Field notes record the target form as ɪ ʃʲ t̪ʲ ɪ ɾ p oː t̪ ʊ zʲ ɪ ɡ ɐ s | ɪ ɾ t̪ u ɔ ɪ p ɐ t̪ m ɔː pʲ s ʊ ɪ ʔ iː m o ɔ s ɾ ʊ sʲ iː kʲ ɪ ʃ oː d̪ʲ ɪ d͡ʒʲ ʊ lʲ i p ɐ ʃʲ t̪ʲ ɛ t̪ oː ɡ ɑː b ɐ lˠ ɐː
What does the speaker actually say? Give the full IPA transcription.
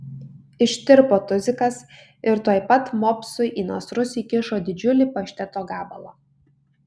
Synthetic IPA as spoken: ɪ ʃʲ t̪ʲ ɪ ɾ p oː t̪ ʊ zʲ ɪ k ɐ s | ɪ ɾ t̪ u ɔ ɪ p ɐ t̪ m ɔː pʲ s ʊ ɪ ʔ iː n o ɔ s ɾ ʊ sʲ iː kʲ ɪ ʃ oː d̪ʲ ɪ d͡ʒʲ ʊ lʲ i p ɐ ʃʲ t̪ʲ ɛ t̪ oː ɡ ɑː b ɐ lˠ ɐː